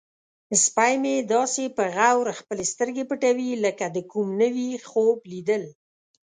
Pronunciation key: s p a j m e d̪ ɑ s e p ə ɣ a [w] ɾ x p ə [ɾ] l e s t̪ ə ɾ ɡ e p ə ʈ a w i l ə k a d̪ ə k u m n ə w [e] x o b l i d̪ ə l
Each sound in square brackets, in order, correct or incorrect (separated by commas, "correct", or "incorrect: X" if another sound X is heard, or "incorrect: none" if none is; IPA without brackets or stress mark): correct, incorrect: none, incorrect: i